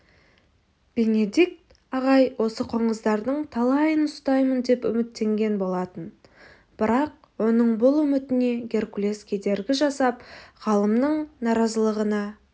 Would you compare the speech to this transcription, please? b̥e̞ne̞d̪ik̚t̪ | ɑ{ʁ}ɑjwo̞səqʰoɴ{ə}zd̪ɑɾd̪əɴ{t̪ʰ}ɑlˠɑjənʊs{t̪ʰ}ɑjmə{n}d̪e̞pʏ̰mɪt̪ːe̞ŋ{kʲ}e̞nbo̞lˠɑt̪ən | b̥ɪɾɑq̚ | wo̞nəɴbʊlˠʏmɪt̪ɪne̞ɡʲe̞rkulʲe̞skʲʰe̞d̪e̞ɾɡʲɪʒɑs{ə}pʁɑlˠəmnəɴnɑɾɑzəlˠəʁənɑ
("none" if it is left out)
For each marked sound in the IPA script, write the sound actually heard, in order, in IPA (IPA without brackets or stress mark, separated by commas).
ʁ, ə, t̪ʰ, t̪, n, ɡʲ, ɑ